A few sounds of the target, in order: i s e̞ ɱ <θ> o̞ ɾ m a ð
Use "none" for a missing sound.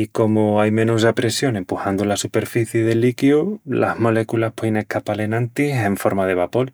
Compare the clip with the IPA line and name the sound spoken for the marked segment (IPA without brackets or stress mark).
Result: f